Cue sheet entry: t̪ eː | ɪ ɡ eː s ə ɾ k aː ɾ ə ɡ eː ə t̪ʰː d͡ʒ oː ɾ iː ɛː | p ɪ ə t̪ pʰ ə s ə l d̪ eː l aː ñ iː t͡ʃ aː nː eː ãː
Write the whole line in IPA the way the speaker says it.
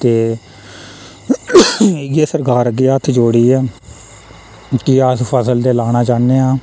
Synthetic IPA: t̪ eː | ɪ ɡ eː s ə ɾ k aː ɾ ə ɡ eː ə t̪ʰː d͡ʒ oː ɽ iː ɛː | k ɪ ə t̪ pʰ ə s ə l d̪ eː l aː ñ aː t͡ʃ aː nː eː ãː